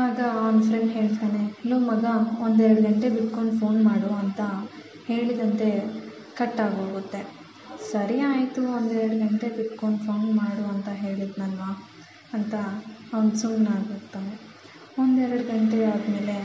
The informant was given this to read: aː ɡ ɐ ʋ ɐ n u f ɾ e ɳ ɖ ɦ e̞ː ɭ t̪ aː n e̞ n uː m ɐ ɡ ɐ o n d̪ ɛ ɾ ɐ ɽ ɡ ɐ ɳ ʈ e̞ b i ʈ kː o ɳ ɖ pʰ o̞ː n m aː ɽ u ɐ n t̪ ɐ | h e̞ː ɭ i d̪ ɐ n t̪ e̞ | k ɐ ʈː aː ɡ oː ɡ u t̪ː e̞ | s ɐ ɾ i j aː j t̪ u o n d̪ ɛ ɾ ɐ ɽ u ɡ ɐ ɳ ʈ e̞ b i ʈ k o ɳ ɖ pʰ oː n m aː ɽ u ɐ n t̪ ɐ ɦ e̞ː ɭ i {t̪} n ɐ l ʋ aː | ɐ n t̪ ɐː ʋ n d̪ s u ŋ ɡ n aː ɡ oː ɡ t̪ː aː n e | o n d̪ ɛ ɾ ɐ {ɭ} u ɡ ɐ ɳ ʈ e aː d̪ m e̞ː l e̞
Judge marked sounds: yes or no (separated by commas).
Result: no, no